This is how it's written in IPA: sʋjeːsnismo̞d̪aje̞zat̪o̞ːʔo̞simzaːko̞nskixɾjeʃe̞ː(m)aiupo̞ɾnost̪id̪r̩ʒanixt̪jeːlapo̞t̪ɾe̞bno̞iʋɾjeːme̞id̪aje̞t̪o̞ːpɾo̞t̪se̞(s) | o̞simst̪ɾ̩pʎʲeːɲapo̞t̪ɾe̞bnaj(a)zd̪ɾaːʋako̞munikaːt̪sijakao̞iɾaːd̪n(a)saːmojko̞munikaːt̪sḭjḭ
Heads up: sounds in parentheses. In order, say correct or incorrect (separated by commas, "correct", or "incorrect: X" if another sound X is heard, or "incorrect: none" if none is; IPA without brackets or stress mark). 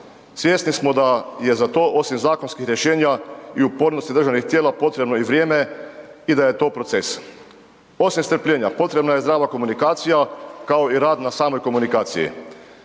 incorrect: ɲ, correct, incorrect: e, correct